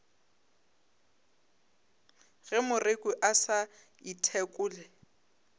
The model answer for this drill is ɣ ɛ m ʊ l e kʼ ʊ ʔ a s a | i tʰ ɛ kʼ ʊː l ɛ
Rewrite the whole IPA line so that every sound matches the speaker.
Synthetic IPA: ɣ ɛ m ʊ r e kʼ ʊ ʔ a s a | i tʰ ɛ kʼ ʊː l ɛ

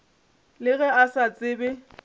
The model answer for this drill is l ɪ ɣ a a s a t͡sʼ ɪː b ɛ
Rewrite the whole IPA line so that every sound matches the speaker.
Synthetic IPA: l ɪ ɣ ɛ a s a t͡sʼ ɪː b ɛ

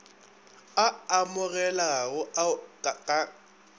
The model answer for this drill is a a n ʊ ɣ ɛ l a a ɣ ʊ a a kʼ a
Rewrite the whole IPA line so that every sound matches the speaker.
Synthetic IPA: a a m ʊ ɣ ɛ l a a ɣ ʊ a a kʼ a

